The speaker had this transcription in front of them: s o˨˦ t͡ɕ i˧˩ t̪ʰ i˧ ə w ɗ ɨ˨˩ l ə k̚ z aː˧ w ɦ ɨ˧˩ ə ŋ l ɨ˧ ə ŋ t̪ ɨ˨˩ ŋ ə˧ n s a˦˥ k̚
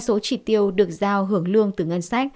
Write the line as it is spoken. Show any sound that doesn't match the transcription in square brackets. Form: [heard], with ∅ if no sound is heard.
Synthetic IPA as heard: s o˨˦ t͡ɕ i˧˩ [t̪] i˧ ə w ɗ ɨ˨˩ [∅] ə k̚ z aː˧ w ɦ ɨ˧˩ ə ŋ l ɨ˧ ə ŋ t̪ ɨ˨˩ ŋ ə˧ n s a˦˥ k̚

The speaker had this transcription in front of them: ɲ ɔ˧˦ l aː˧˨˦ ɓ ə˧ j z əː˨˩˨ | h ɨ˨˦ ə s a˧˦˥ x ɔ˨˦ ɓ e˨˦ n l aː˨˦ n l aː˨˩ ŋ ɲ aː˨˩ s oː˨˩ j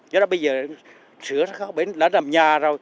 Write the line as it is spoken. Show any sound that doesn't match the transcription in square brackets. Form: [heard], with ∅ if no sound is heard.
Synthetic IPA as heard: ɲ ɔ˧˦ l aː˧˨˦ ɓ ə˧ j z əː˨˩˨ | [s] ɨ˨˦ ə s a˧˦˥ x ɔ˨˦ ɓ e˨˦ n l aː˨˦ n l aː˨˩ [m] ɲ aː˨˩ [z] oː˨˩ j

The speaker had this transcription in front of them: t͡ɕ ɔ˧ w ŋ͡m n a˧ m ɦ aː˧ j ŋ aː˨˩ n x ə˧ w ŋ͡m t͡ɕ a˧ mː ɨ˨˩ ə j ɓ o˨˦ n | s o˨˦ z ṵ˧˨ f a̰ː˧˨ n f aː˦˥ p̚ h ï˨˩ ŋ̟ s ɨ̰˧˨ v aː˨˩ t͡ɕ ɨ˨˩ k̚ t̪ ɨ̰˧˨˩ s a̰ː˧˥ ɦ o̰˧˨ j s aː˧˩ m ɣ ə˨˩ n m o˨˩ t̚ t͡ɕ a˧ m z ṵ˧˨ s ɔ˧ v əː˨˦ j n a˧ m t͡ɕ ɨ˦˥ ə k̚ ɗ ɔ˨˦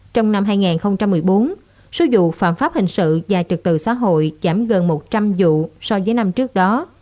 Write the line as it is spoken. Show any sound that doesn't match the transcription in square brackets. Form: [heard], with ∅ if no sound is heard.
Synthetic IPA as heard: t͡ɕ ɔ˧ w ŋ͡m n a˧ m ɦ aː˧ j ŋ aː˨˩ n x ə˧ w ŋ͡m t͡ɕ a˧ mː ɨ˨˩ ə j ɓ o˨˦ n | s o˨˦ z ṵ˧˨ f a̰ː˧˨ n f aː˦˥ p̚ h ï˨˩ ŋ̟ s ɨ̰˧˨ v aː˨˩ t͡ɕ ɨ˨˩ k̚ t̪ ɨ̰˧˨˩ s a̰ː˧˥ ɦ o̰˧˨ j [z] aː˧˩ m ɣ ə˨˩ n m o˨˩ t̚ t͡ɕ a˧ m z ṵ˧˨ s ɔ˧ v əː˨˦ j n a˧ m t͡ɕ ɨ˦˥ ə k̚ ɗ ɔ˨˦

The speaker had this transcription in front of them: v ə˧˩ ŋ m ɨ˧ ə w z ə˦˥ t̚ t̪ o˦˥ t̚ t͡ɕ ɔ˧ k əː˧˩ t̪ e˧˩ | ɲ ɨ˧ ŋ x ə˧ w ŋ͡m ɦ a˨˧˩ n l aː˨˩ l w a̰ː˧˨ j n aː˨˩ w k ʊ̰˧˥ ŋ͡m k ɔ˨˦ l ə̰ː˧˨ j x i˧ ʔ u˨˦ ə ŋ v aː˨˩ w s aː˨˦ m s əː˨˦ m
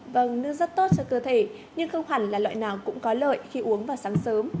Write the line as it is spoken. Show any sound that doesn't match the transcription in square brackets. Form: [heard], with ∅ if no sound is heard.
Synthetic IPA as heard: v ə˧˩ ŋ [n] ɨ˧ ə [∅] z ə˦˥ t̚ t̪ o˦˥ t̚ t͡ɕ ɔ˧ k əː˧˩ [t̪ʰ] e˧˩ | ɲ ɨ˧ ŋ x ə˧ w ŋ͡m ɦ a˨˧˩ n l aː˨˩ l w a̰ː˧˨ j n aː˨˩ w k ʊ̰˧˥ ŋ͡m k ɔ˨˦ l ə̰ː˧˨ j x i˧ ʔ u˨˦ ə ŋ v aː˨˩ w s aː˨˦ [ŋ] s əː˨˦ m

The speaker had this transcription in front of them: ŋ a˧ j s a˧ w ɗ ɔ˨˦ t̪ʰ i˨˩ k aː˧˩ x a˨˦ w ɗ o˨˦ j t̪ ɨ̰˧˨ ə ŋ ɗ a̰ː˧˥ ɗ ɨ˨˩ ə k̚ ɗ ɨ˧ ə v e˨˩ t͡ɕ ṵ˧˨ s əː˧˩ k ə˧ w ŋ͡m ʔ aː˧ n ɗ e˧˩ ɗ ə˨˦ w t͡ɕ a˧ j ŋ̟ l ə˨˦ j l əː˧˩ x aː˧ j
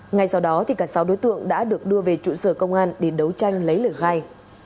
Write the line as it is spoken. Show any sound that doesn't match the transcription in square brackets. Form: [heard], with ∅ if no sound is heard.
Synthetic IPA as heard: ŋ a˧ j s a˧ w ɗ ɔ˨˦ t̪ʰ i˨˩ k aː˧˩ [s] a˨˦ w ɗ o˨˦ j t̪ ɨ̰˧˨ ə ŋ ɗ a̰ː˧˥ ɗ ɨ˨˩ ə k̚ ɗ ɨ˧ ə v e˨˩ t͡ɕ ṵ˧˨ s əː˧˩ k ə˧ w ŋ͡m ʔ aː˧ n ɗ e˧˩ ɗ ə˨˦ w t͡ɕ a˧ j ŋ̟ l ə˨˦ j l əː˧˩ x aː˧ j

